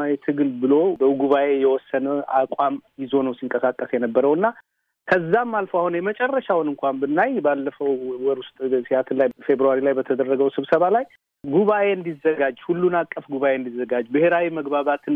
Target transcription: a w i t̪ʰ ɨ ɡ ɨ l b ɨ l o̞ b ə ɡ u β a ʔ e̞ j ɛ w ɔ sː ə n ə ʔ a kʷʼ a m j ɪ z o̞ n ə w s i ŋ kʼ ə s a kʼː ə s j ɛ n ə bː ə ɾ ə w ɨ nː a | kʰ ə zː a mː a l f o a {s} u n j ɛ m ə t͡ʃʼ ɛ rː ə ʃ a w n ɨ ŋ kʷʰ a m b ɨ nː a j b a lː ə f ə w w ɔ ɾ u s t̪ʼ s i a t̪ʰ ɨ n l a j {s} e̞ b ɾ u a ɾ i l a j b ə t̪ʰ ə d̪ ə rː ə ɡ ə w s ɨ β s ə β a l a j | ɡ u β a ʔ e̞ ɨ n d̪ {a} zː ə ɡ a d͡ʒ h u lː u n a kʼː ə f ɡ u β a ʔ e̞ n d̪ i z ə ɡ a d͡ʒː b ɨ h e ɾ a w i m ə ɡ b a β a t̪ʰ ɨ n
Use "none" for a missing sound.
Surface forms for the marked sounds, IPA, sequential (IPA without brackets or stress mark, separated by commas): h, f, i